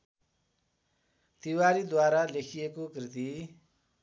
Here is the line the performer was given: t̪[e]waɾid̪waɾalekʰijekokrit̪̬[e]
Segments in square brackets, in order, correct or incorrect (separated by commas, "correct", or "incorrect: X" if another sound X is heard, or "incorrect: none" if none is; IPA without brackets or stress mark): incorrect: i, incorrect: i